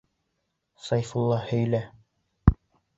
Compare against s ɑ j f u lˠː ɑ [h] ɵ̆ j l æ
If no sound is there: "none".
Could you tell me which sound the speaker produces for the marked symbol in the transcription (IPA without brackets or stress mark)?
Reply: h